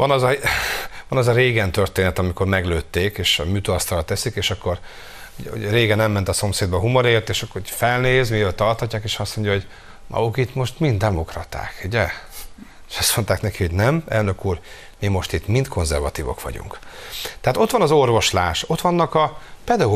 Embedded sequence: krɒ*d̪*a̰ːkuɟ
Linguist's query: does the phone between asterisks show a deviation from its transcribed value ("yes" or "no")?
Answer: yes